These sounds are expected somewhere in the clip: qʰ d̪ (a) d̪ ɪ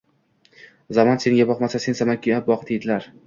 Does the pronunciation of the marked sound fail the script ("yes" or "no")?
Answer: yes